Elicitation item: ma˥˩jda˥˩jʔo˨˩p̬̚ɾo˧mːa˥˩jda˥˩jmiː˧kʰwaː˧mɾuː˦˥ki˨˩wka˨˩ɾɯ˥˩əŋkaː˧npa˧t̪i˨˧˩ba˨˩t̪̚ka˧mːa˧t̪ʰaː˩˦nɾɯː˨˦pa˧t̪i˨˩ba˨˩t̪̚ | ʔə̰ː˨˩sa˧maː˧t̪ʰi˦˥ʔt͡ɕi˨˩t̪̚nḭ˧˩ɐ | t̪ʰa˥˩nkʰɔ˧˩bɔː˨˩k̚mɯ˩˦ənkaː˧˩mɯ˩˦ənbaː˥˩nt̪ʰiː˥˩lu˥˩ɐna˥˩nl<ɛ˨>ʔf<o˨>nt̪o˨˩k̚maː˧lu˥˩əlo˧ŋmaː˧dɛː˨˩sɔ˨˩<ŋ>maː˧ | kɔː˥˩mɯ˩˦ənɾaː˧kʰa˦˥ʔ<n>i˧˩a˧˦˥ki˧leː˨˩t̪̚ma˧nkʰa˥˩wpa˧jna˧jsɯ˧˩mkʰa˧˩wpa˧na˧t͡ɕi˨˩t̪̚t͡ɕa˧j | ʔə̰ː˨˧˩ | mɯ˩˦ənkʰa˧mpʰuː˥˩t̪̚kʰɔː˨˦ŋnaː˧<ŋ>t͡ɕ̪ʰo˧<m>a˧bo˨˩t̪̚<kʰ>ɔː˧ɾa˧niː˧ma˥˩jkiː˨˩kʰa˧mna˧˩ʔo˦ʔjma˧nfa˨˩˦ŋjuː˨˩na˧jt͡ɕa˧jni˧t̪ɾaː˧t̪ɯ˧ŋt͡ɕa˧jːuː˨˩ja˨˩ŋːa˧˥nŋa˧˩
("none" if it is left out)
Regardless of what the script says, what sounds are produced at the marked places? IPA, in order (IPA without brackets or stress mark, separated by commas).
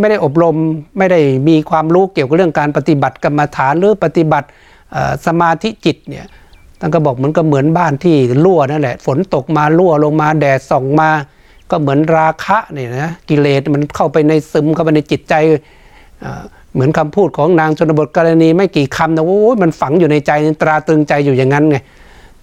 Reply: ɛ˨, o˩˦, ŋ, n, ŋ, n, k